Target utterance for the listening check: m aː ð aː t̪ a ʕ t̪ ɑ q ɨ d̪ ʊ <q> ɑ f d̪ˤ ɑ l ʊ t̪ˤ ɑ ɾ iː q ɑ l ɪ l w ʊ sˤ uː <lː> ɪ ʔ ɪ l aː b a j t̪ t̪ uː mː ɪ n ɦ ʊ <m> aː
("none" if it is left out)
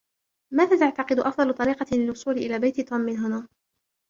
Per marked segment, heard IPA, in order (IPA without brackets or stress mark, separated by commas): ʔ, l, n